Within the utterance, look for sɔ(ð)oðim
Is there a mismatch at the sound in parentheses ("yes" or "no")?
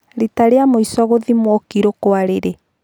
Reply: yes